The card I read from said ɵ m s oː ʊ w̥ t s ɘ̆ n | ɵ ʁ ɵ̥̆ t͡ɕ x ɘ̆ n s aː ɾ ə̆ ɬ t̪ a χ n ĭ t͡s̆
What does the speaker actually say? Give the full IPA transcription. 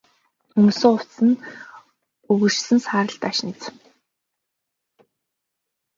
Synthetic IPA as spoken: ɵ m s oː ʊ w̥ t s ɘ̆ n | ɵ ɣ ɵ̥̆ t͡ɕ s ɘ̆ n s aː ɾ ə̆ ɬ t̪ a ʃ n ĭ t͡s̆